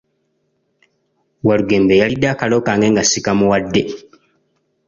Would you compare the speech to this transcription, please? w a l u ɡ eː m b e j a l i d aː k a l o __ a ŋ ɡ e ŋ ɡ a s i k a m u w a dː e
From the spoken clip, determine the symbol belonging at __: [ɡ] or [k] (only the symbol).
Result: k